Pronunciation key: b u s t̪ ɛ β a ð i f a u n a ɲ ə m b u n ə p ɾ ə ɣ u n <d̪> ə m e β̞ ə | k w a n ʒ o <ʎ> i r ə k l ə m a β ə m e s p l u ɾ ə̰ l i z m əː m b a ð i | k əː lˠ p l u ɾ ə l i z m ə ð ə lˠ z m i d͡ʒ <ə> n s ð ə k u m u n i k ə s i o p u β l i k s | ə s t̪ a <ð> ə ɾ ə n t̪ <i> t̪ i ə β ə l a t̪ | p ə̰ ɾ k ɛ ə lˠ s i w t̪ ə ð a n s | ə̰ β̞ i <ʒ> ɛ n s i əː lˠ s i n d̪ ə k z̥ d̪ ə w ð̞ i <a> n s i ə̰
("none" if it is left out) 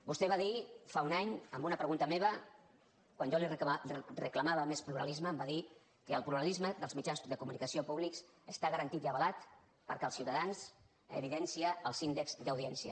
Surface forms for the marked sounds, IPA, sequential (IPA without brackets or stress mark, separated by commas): t̪, l, a, ɣ, i, ð, ɛ